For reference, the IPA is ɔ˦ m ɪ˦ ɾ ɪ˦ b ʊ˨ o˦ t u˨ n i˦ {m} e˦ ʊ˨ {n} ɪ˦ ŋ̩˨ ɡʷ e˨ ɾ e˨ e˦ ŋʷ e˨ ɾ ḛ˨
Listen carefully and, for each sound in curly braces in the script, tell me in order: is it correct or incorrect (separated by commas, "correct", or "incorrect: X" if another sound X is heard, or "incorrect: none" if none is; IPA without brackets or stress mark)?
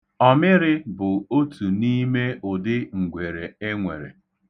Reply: correct, incorrect: d